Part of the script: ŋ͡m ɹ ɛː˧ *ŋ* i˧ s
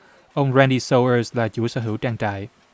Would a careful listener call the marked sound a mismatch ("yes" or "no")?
yes